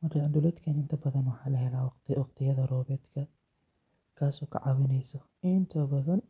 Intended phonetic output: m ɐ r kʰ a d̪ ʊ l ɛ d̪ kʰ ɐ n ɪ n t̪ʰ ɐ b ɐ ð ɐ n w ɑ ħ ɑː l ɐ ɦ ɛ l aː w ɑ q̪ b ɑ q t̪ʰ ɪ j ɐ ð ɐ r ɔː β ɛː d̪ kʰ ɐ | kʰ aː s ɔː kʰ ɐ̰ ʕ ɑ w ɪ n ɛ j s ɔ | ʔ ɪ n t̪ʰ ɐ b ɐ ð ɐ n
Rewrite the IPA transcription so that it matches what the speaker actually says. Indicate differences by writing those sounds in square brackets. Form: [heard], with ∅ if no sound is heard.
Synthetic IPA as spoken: m ɐ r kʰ a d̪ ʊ l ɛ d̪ kʰ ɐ n ɪ n t̪ʰ ɐ b ɐ ð ɐ n w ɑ ħ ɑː l ɐ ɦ ɛ l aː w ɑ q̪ [w] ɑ q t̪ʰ ɪ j ɐ ð ɐ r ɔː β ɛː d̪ kʰ ɐ | kʰ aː s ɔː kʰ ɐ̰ ʕ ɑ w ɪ n ɛ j s ɔ | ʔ ɪ n t̪ʰ ɐ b ɐ ð ɐ n